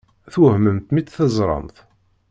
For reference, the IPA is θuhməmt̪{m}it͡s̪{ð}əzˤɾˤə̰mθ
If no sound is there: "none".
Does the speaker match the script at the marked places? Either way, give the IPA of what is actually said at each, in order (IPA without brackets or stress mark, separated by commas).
m, θ